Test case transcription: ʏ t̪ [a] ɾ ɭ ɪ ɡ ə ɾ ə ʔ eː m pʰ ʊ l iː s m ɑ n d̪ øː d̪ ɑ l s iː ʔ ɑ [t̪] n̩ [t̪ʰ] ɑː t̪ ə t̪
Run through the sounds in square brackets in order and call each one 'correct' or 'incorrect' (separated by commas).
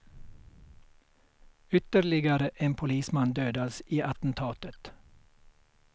incorrect, correct, correct